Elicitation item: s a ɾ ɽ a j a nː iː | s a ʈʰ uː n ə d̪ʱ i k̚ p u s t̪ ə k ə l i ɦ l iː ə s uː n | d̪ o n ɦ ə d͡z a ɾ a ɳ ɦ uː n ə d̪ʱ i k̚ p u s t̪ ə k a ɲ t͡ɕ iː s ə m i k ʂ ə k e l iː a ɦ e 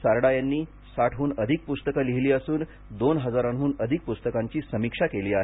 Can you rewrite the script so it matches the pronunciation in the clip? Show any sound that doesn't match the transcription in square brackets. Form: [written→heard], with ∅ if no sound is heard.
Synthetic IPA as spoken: s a ɾ ɽ a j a nː iː | s a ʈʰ uː n ə d̪ʱ i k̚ p u s t̪ ə k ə l i ɦ l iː ə s uː n | d̪ o n ɦ ə d͡z a ɾ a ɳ ɦ uː n ə d̪ʱ i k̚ p u s t̪ ə k a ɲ t͡ɕ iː s ə m i k ʂ [ə→a] k e l iː a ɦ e